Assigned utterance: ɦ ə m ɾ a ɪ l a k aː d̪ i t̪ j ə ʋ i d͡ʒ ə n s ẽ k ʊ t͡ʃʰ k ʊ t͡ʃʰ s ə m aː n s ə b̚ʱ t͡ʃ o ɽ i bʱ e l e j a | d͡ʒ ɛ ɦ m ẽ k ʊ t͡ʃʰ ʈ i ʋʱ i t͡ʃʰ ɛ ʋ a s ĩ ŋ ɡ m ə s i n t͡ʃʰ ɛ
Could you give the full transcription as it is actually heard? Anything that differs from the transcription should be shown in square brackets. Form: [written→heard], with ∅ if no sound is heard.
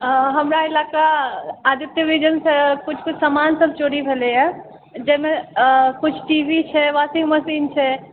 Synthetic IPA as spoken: ɦ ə m ɾ a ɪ l a k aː d̪ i t̪ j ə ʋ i d͡ʒ ə n s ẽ k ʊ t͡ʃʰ k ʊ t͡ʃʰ s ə m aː n s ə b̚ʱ t͡ʃ o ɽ i bʱ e l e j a | d͡ʒ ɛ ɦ m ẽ k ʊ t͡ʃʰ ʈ i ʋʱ i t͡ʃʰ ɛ ʋ a s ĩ ŋ ɡ m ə s i n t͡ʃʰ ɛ